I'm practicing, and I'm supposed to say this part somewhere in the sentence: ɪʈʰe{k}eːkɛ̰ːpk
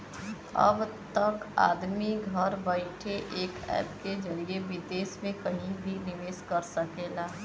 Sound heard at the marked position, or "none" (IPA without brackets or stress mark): ʔ